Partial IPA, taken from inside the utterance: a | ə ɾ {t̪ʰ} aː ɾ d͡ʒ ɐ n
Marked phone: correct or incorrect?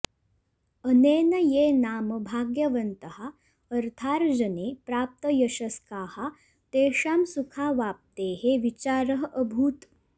correct